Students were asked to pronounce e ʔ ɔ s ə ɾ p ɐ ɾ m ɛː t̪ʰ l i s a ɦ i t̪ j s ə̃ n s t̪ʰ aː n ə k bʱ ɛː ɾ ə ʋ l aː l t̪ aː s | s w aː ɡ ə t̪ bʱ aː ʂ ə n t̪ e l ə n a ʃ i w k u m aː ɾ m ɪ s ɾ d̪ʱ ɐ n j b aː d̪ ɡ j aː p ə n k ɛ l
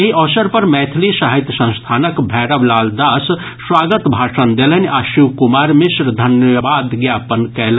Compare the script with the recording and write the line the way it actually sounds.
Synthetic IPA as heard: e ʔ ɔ s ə ɾ p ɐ ɾ m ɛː t̪ʰ l i s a ɦ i t̪ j s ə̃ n s t̪ʰ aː n ə k bʱ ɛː ɾ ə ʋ l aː l d̪ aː s | s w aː ɡ ə t̪ bʱ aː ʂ ə n d̪ e l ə n a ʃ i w k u m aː ɾ m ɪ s ɾ d̪ʱ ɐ n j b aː d̪ ɡ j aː p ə n k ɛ l